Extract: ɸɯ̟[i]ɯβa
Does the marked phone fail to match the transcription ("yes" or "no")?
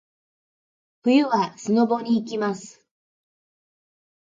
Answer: yes